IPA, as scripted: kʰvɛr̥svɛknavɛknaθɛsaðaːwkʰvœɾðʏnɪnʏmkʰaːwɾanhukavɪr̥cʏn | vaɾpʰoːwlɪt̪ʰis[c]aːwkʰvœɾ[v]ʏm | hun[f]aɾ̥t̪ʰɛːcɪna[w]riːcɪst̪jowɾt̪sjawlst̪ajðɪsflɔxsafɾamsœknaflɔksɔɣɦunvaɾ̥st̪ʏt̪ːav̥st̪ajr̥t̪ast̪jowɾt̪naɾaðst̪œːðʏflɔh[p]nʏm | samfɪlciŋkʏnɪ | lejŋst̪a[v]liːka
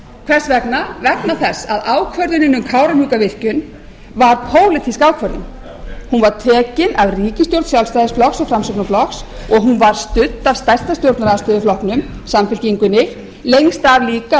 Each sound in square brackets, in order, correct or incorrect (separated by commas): incorrect, incorrect, incorrect, incorrect, incorrect, correct